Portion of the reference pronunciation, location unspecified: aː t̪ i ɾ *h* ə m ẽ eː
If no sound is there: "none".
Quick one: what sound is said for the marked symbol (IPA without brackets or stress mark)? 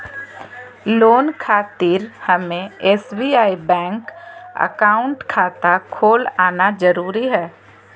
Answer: h